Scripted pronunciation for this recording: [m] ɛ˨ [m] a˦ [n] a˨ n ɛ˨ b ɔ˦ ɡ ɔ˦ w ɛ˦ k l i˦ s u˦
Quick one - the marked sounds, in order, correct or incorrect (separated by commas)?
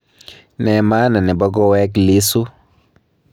incorrect, correct, correct